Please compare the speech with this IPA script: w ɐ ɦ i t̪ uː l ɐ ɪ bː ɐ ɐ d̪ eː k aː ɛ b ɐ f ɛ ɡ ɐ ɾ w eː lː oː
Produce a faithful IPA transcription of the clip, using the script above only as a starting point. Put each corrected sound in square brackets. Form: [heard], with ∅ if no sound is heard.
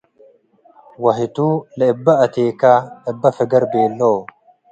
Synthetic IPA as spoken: w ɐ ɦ [ɪ] t̪ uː l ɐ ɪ bː ɐ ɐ [t̪] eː k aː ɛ [bː] ɐ f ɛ ɡ ɐ ɾ [b] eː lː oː